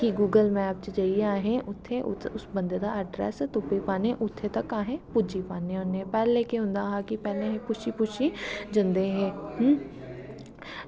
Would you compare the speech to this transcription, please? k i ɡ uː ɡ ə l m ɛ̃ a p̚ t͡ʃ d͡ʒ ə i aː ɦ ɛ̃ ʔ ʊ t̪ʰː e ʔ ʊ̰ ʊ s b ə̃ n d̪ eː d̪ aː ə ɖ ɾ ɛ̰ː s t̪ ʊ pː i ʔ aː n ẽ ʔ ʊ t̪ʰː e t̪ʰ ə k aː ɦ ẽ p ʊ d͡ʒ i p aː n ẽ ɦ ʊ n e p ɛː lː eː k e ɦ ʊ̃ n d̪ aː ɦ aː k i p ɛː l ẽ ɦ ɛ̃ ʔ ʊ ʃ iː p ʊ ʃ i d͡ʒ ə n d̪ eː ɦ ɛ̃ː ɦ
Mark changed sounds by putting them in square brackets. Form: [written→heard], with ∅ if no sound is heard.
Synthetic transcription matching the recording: k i ɡ uː ɡ ə l m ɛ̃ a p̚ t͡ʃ d͡ʒ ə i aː ɦ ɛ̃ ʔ ʊ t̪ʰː e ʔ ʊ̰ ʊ s b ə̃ n d̪ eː d̪ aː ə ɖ ɾ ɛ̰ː s t̪ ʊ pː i [ʔ→p] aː n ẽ ʔ ʊ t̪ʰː e [t̪ʰ→t̪] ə k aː ɦ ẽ p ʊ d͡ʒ i p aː n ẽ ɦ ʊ n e p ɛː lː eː k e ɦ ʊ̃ n d̪ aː ɦ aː k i p ɛː l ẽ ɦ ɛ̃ [ʔ→p] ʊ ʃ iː p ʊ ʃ i d͡ʒ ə n d̪ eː ɦ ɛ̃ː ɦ